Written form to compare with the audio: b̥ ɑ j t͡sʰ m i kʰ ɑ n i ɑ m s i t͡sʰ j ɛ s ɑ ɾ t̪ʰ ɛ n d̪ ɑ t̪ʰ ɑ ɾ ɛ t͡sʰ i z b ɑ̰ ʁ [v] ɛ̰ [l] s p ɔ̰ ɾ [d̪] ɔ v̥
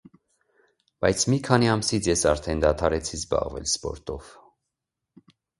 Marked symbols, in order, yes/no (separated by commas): yes, yes, no